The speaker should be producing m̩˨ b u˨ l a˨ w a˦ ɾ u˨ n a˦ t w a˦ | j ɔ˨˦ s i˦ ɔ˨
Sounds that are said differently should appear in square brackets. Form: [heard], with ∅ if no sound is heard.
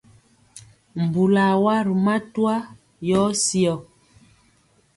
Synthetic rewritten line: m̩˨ b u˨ l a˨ w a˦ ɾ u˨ [m] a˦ t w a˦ | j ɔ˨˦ s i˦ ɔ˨